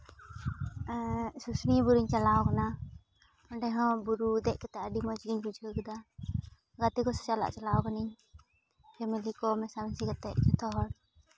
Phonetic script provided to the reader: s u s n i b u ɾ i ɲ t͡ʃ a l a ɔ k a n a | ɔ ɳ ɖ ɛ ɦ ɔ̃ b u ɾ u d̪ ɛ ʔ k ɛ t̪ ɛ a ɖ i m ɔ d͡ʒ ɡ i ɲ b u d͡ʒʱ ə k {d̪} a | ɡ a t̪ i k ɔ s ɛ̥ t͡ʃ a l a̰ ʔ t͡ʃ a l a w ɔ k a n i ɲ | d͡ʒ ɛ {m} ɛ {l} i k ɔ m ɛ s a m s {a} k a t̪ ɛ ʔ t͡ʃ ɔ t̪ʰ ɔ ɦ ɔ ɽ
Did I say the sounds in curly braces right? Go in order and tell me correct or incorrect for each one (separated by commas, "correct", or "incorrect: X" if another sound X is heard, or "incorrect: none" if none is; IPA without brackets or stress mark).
correct, correct, correct, incorrect: i